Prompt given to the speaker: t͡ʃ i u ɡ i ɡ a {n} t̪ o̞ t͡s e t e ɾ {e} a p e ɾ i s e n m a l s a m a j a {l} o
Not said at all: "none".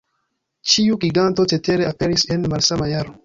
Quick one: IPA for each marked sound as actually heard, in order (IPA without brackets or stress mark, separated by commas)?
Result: n, e, ɾ